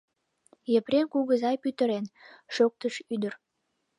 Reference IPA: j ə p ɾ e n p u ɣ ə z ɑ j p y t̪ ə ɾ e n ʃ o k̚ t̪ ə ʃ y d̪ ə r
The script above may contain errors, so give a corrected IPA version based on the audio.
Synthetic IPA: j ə p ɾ e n k u ɣ ə z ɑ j p y t̪ ə ɾ e n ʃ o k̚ t̪ ə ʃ y d̪ ə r

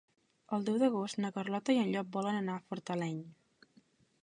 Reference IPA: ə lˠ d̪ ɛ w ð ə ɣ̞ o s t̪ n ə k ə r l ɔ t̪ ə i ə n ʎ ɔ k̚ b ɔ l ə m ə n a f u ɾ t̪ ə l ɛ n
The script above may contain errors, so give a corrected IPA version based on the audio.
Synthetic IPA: ə lˠ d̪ ɛ w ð ə ɣ̞ o s t̪ n ə k ə r l ɔ t̪ ə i ə n ʎ ɔ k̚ b ɔ l ə n ə n a f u ɾ t̪ ə l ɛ ɲ

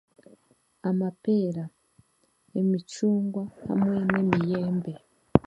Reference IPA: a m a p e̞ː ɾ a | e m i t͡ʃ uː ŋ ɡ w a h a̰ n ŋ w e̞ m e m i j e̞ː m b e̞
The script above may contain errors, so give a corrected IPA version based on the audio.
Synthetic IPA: a m a p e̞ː ɾ a | e m i t͡ʃ uː ŋ ɡ w a h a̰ m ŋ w e̞ n e m i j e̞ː m b e̞

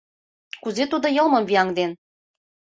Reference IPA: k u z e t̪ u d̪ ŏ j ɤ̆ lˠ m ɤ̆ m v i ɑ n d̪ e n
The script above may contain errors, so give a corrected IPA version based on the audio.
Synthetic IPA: k u z e t̪ u d̪ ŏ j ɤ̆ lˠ m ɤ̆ m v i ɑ ŋ d̪ e n

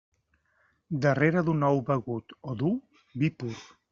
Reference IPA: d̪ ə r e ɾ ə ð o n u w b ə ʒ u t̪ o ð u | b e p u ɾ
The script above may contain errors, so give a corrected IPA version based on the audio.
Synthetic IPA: d̪ ə r e ɾ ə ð u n ɔ w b ə ɣ u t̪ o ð u | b i p u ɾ

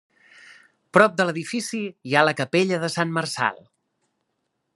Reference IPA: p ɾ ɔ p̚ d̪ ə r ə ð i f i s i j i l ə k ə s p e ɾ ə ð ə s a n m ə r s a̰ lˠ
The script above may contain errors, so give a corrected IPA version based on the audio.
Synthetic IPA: p ɾ ɔ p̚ d̪ ə l ə ð i f i s i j a l ə k ə p e ʎ ə ð ə s a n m ə r s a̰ lˠ

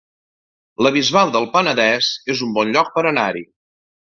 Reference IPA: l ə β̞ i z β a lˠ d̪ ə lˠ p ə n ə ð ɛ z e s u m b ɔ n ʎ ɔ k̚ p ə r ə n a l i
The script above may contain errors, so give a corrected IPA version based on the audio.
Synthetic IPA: l ə β̞ i z β a lˠ d̪ ə lˠ p ə n ə ð ɛ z e z u m b ɔ n ʎ ɔ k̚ p ə ɾ ə n a ɾ i

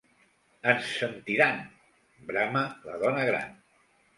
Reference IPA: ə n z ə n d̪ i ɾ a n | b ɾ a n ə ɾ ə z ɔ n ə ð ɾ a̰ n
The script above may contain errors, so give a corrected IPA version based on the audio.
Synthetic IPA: ə n s ə n t̪ i ɾ a n | b ɾ a m ə l ə ð ɔ n ə ɣ ɾ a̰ n

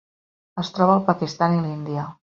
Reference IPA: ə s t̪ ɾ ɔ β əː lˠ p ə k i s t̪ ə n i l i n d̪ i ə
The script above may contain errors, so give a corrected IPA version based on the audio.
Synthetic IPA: ə s t̪ ɾ ɔ β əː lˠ p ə k i s t̪ a n i l i n d̪ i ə

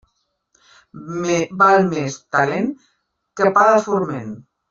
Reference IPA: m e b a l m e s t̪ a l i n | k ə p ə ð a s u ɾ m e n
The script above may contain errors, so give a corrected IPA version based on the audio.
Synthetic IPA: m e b a l m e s t̪ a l e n | k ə p a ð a f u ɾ m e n

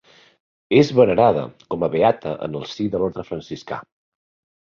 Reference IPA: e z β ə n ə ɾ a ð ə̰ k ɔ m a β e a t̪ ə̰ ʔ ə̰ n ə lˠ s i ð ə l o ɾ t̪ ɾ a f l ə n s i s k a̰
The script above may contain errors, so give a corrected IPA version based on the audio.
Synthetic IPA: e z β ə n ə ɾ a ð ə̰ k ɔ m ə β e a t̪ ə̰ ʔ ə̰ n ə lˠ s i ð ə l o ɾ t̪ ɾ ə f ɾ ə n s i s k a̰

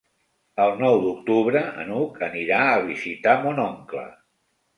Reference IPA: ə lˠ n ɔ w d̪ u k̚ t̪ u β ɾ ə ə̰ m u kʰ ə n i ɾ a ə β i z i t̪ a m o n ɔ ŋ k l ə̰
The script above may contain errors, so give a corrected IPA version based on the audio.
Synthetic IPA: ə lˠ n ɔ w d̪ u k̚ t̪ u β ɾ ə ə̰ n u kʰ ə n i ɾ a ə β i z i t̪ a m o n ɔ ŋ k l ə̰

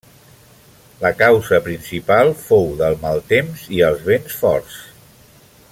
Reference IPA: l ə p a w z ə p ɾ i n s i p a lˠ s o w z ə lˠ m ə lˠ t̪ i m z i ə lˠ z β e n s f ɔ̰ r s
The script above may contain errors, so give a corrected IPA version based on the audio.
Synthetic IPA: l ə k a w z ə p ɾ i n s i p a lˠ f o w ð ə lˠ m a lˠ t̪ e m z i ə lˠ z β e n s f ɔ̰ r s

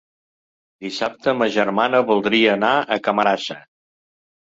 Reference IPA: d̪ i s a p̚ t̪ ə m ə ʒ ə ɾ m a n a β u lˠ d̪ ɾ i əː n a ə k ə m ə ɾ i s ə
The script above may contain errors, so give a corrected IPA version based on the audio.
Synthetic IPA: d̪ i s a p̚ t̪ ə m ə ʒ ə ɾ m a n ə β u lˠ d̪ ɾ i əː n a ə k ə m ə ɾ a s ə

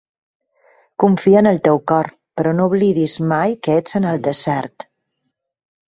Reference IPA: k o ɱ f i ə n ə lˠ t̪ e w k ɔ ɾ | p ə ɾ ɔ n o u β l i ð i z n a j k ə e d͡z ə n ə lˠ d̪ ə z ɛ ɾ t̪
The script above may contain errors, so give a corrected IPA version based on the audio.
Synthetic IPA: k u ɱ f i ə n ə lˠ t̪ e w k ɔ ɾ | p ə ɾ ɔ n o u β l i ð i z m a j k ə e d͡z ə n ə lˠ d̪ ə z ɛ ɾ t̪

